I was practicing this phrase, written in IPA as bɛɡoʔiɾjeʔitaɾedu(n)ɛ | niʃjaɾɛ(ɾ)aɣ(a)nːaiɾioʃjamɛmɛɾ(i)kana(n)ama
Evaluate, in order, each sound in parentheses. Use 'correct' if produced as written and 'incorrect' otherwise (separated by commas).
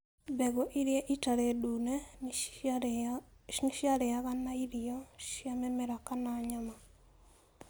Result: correct, incorrect, correct, incorrect, incorrect